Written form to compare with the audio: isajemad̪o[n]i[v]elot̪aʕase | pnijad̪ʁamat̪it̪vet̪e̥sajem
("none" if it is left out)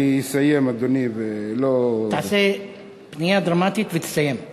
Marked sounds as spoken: n, v

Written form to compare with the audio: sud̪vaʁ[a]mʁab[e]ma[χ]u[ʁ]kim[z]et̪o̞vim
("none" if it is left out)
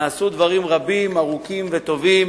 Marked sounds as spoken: i, i, ʁ, none, v

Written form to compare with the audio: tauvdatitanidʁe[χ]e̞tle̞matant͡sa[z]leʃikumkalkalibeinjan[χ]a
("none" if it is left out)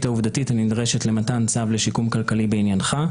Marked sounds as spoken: ʃ, v, χ

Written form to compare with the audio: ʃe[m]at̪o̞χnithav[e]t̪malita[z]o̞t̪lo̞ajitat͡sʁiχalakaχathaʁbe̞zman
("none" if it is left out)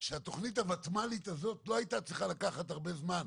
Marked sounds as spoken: none, a, z

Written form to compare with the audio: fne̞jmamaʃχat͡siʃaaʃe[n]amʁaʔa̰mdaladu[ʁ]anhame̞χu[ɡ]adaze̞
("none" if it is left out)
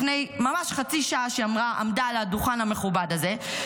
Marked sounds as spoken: none, χ, b

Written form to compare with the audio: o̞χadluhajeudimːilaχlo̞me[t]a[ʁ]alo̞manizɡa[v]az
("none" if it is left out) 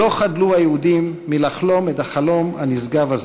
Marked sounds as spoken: t, χ, v

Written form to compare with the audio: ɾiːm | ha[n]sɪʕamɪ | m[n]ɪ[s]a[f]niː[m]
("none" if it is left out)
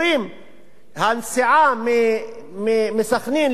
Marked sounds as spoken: n, m, s, x, n

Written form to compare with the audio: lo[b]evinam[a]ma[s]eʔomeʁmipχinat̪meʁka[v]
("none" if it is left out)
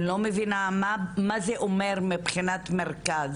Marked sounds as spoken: m, a, z, z

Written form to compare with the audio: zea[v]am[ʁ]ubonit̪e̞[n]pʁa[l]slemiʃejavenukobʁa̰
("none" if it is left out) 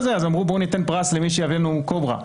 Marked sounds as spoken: z, ʁ, n, none

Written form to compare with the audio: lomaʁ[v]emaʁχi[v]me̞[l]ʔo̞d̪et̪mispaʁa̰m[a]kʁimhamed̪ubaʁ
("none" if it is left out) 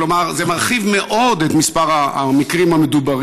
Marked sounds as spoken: z, v, none, i

